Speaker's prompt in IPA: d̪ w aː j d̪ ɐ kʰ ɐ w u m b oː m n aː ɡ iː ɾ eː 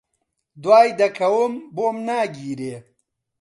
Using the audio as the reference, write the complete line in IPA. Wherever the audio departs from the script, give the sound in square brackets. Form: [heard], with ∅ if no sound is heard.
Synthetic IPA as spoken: d̪ w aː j d̪ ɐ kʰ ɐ w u m b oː m n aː ɡ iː ɾ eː